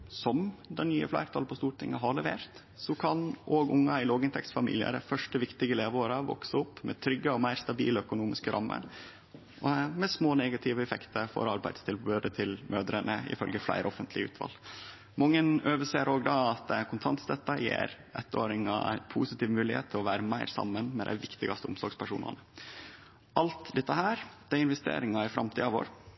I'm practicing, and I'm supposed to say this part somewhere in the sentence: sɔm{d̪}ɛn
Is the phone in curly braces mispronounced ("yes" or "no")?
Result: no